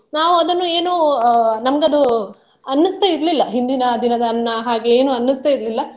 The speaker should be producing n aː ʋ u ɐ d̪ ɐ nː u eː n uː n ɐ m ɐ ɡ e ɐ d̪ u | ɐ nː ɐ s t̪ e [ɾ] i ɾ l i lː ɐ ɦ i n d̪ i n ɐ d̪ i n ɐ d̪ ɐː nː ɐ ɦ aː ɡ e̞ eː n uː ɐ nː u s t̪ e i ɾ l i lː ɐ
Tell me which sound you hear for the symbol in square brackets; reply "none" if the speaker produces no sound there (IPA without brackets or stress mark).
none